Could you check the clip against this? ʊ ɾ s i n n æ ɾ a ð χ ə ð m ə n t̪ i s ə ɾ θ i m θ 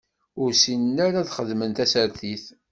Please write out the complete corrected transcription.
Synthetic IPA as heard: ʊ ɾ s i n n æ ɾ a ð χ ə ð m ə n t̪ æ s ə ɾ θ i θ